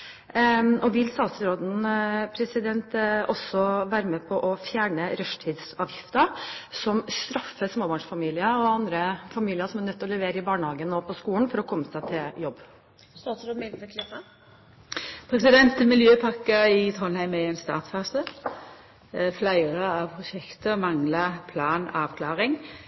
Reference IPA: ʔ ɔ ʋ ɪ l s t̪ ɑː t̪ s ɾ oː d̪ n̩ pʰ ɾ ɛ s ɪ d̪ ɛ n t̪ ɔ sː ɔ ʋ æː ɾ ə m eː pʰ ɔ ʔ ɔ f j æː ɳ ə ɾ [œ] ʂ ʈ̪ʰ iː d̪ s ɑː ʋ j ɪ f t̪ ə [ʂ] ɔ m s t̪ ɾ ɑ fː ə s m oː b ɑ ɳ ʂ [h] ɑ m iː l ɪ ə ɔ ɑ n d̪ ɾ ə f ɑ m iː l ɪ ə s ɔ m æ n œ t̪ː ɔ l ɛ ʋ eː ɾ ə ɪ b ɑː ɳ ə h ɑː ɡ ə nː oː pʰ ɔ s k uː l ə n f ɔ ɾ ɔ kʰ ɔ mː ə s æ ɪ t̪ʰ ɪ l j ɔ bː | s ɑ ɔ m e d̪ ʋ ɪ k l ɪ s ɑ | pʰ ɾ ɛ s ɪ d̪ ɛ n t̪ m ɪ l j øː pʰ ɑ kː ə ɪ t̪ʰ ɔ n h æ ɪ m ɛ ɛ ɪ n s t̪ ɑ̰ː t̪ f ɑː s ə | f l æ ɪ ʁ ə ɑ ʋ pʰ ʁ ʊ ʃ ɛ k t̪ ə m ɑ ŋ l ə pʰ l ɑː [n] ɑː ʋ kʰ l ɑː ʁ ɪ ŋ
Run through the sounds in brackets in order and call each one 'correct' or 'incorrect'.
correct, incorrect, incorrect, correct

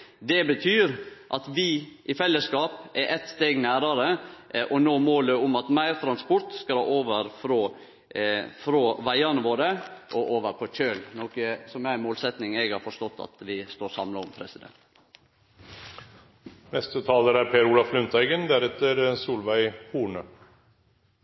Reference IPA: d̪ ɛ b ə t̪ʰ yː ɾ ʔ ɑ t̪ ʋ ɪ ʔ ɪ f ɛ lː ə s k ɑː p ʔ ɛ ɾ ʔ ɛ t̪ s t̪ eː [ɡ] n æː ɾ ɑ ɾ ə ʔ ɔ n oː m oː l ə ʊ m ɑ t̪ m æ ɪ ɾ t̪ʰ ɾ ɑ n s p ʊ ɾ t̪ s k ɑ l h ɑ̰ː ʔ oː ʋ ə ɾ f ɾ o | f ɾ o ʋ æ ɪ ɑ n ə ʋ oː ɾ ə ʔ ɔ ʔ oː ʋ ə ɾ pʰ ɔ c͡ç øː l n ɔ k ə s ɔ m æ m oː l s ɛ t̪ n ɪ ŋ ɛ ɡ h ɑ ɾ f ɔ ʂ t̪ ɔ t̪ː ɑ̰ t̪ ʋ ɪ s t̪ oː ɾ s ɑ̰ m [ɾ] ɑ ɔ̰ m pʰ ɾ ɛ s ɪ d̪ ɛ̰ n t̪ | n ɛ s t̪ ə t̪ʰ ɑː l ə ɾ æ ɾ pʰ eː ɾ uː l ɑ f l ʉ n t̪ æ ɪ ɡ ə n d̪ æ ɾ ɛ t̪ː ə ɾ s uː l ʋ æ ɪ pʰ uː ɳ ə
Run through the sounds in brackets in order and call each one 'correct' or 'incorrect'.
correct, incorrect

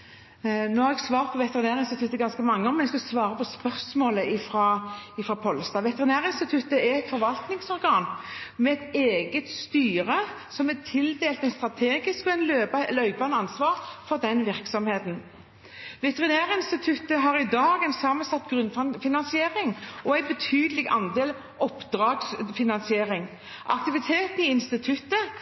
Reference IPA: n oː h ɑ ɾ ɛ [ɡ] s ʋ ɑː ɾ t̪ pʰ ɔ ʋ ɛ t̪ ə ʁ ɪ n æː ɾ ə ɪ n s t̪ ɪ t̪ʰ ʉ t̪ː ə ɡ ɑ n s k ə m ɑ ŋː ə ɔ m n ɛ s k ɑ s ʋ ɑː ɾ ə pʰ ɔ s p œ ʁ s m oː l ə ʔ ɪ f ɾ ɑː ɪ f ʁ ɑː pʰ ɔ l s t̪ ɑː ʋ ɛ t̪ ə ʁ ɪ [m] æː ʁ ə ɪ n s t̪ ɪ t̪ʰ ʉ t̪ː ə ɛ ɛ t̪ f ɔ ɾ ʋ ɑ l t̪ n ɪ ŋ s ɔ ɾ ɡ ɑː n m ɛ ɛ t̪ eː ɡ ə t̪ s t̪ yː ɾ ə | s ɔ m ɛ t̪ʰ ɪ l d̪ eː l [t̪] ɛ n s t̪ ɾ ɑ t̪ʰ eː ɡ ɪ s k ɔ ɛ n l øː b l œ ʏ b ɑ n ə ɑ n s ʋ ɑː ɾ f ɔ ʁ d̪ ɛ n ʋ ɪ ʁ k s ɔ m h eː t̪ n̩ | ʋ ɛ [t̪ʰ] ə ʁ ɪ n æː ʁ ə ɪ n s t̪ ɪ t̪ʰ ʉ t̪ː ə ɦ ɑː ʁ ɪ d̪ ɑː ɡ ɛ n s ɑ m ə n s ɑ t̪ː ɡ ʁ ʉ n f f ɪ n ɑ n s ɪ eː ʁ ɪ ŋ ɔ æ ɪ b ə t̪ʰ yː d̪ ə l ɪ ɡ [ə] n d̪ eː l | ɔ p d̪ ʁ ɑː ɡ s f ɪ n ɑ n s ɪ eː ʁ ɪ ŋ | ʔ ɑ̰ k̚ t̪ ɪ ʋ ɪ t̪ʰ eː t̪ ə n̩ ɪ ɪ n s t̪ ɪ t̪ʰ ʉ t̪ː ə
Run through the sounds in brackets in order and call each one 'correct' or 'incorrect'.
correct, incorrect, correct, incorrect, incorrect

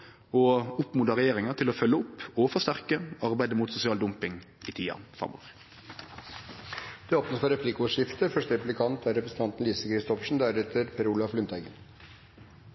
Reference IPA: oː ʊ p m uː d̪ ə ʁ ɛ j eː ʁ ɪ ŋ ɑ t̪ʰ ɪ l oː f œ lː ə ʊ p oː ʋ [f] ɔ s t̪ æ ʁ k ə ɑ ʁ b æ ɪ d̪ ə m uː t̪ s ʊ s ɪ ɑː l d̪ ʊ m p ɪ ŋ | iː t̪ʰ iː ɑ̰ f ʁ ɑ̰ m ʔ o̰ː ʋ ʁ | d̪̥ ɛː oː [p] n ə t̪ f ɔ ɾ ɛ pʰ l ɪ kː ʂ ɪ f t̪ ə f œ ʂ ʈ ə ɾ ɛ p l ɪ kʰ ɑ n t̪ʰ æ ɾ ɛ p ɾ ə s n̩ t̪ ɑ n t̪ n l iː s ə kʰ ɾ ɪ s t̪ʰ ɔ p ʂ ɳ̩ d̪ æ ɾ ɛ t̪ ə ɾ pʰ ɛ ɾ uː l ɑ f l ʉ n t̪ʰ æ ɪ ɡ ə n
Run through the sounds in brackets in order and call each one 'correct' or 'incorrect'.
correct, correct

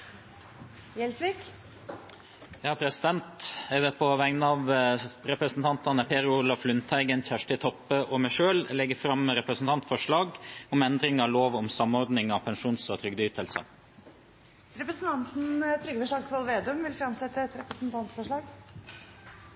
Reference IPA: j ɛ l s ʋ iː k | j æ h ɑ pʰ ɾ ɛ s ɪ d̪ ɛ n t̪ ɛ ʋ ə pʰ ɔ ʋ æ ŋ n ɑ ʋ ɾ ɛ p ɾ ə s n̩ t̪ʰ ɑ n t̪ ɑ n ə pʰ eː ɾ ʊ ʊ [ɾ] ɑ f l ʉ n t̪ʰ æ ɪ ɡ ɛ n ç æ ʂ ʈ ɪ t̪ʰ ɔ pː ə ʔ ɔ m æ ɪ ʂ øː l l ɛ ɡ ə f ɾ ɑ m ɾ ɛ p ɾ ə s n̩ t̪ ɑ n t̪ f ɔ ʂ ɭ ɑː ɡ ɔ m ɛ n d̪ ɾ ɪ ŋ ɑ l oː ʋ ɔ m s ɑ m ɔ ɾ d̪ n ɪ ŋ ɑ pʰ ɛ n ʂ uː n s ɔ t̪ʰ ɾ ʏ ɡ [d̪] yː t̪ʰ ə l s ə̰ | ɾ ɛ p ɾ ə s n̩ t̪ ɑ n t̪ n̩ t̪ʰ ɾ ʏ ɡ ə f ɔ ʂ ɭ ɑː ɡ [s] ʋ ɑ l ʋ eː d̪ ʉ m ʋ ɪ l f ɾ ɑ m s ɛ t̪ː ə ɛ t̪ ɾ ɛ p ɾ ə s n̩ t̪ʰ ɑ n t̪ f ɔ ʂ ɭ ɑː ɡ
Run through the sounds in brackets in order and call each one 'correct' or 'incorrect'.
incorrect, correct, correct

